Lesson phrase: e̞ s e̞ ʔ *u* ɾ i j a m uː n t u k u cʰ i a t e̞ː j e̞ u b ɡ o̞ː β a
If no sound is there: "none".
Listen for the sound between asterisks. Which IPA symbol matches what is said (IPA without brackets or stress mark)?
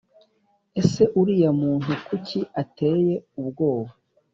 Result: u